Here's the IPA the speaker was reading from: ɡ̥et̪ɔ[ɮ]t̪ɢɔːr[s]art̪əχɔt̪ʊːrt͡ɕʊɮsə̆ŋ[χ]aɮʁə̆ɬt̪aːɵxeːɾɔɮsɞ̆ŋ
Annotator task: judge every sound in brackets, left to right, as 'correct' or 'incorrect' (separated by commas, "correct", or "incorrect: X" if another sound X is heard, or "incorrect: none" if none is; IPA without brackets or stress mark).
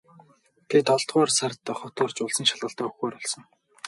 correct, correct, incorrect: ʃ